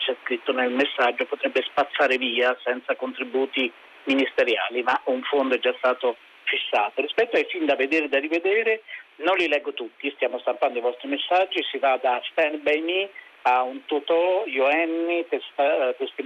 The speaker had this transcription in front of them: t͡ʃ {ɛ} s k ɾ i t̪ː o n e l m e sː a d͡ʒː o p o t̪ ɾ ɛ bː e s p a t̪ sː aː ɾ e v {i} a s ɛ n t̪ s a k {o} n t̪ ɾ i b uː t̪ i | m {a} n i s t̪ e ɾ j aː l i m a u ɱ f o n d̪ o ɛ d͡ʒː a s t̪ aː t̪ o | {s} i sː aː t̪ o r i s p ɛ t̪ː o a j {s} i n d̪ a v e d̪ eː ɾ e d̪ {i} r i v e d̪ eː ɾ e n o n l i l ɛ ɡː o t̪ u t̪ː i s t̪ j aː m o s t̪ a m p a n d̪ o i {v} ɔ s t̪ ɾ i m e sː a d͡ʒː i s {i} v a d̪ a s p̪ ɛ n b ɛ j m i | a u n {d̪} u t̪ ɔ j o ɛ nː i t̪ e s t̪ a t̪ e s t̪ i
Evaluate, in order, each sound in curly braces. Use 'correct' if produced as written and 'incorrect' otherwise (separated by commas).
correct, incorrect, correct, incorrect, incorrect, incorrect, incorrect, correct, correct, incorrect